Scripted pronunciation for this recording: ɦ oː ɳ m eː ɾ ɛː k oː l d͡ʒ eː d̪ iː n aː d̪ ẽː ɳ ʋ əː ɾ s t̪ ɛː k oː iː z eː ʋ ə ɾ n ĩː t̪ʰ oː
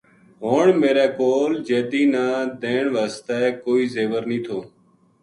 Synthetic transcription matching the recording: ɦ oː ɳ m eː ɾ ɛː k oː l d͡ʒ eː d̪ iː n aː d̪ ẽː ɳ ʋ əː s t̪ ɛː k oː iː z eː ʋ ə ɾ n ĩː t̪ʰ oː